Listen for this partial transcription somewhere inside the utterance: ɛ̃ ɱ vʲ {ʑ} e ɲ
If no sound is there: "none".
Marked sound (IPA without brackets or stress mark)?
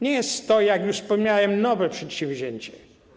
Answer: ʑ